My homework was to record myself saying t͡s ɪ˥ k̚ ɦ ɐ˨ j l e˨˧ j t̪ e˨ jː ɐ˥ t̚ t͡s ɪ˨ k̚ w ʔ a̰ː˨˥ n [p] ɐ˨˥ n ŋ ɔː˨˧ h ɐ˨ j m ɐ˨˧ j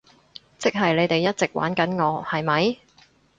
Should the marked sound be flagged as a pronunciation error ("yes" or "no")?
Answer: yes